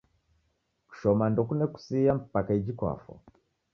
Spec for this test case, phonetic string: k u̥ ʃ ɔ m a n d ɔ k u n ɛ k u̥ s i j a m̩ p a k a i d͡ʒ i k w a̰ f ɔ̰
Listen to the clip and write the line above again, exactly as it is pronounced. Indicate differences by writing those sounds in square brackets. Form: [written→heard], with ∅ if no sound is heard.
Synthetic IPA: k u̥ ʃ ɔ m a n d ɔ k u n ɛ k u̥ s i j a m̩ p a k a i d͡ʒ i k w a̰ f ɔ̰